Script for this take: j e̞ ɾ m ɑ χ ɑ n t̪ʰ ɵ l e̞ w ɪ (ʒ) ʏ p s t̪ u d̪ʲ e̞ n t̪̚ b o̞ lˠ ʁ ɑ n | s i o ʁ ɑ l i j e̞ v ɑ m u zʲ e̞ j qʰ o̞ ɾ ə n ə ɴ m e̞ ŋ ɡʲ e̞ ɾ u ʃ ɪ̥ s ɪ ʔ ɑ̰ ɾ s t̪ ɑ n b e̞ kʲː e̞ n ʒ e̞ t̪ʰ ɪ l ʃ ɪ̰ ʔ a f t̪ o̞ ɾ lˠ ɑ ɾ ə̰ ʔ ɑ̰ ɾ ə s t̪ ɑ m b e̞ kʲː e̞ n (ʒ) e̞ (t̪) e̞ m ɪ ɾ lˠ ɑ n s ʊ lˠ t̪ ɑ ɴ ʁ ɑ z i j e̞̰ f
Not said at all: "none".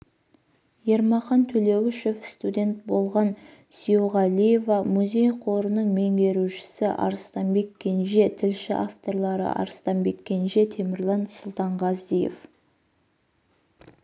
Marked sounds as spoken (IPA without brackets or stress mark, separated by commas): ʃ, ʒ, t̪ʰ